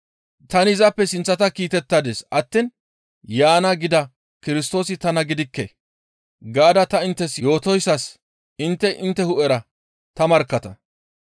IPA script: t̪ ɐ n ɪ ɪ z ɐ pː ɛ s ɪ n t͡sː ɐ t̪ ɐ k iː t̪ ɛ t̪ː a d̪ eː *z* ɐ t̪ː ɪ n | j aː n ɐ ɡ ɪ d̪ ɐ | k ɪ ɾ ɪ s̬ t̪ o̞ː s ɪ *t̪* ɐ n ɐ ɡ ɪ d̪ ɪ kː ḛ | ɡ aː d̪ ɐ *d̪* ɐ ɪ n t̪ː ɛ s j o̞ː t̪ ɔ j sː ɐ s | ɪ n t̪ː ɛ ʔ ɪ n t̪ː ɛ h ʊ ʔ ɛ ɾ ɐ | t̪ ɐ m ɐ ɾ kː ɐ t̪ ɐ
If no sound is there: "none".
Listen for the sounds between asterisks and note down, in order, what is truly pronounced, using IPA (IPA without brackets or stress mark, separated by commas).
s, t̪, t̪